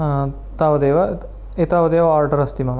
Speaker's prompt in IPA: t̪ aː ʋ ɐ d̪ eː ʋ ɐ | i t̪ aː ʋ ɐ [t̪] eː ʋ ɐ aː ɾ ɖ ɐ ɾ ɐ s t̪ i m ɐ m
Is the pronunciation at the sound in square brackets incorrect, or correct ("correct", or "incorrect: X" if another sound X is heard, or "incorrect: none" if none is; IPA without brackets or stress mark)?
incorrect: d̪